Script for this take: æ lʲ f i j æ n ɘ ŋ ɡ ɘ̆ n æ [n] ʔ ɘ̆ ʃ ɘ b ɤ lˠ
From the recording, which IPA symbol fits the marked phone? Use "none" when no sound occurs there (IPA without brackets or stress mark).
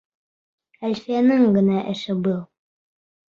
none